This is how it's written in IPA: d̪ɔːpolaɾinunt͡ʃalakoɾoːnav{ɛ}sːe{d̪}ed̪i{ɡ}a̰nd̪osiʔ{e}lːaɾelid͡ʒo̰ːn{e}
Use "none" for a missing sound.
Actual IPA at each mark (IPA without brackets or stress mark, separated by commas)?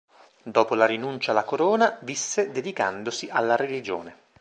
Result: i, d̪, k, a, e